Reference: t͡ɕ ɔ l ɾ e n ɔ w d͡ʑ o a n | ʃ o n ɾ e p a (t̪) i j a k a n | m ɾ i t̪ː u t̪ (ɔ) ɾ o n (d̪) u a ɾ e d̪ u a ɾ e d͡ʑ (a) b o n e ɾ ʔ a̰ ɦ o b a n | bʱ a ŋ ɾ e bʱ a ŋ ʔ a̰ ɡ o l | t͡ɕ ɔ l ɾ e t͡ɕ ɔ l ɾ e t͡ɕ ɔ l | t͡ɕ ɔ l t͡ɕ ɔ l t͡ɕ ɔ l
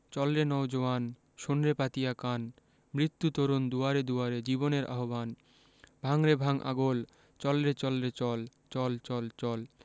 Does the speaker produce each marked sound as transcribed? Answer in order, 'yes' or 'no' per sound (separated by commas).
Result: yes, no, yes, no